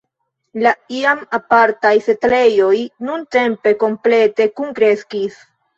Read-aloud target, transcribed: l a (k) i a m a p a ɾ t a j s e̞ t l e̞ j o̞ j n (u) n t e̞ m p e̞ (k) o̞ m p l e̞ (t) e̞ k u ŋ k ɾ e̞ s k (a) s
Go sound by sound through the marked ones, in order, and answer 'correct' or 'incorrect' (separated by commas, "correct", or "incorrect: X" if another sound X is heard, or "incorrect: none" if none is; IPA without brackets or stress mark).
incorrect: none, correct, correct, correct, incorrect: i